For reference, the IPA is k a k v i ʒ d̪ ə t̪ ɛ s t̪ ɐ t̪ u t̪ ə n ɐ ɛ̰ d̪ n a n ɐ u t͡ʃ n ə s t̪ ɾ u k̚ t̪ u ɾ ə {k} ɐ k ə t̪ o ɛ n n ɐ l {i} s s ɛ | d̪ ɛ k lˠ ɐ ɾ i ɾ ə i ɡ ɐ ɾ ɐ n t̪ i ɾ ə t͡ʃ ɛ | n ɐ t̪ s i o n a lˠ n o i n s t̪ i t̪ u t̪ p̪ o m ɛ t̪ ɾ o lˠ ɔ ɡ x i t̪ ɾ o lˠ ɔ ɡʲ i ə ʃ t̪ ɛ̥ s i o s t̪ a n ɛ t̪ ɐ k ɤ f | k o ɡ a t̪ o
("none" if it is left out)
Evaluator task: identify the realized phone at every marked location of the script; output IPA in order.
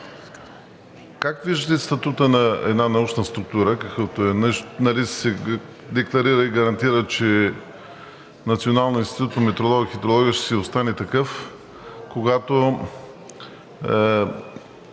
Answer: k, i

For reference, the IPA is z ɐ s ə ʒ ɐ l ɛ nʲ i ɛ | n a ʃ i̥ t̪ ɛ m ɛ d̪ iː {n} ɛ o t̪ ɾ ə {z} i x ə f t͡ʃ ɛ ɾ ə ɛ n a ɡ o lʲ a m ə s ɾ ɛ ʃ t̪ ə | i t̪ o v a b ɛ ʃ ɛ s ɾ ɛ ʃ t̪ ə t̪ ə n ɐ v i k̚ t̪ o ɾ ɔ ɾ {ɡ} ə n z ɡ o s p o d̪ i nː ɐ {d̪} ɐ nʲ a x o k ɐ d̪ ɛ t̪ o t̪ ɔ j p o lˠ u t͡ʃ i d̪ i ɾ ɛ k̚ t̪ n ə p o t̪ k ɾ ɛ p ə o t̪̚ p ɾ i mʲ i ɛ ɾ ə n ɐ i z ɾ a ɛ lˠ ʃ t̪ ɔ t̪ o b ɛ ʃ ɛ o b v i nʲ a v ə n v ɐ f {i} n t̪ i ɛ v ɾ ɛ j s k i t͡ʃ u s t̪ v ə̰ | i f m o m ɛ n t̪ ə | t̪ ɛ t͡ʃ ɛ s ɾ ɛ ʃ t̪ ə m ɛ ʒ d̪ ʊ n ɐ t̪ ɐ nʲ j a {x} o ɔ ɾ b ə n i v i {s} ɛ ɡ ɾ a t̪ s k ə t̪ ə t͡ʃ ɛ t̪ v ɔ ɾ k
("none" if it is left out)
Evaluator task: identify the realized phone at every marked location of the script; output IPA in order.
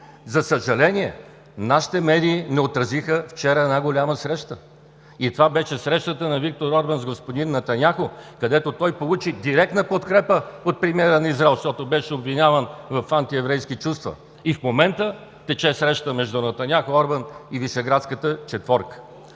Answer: n, z, b, t̪, a, x, ʃ

